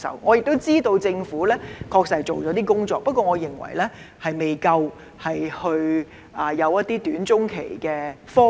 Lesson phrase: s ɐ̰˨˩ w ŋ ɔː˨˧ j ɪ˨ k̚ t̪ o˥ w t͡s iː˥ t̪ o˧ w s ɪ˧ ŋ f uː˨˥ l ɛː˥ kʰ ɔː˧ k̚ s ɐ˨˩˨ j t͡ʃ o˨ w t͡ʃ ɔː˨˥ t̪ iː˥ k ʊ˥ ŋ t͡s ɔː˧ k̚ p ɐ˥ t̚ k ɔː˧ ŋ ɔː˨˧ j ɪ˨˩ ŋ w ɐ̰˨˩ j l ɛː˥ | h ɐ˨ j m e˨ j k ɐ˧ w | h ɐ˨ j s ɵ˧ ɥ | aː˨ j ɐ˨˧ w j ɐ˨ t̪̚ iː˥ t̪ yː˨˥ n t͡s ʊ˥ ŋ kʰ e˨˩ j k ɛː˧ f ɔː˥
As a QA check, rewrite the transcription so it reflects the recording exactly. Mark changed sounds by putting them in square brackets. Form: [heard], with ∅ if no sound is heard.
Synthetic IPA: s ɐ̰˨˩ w ŋ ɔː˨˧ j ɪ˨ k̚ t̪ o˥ w t͡s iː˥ t̪ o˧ w [t͡s] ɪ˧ ŋ f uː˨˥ l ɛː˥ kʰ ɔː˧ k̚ s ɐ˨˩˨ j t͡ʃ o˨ w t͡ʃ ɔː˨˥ t̪ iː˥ k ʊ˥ ŋ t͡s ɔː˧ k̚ p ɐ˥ t̚ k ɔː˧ ŋ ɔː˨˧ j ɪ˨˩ ŋ w ɐ̰˨˩ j l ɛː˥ | h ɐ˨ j m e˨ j k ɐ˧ w | h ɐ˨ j [h] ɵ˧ ɥ | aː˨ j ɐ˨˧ w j [ɐ˥] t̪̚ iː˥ t̪ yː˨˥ n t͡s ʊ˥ ŋ kʰ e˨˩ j k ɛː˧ f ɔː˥

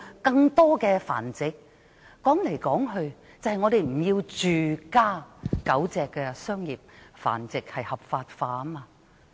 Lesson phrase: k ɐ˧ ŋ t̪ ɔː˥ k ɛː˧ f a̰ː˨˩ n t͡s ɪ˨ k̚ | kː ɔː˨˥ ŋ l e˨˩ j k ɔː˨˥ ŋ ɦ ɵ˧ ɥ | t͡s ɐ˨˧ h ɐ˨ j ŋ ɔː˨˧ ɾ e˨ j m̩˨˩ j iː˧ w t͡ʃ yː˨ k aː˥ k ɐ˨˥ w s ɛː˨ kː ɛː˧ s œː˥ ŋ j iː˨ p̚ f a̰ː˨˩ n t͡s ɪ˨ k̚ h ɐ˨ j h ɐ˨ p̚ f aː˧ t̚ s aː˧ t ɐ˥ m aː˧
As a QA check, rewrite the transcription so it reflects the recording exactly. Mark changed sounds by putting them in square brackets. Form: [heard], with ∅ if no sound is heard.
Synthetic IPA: k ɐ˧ ŋ t̪ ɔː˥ k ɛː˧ f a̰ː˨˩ n t͡s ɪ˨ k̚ | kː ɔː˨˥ ŋ l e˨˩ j k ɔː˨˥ ŋ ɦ ɵ˧ ɥ | t͡s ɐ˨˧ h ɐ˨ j ŋ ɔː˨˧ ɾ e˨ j m̩˨˩ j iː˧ w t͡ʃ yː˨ k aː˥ k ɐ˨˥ w [t͡s] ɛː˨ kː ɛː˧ s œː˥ ŋ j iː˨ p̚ f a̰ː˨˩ n t͡s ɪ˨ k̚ h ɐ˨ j h ɐ˨ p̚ f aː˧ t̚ [f] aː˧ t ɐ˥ m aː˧

